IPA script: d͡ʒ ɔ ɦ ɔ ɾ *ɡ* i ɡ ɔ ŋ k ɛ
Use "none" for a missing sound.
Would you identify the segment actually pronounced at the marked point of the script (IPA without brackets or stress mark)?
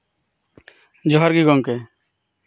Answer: ɡ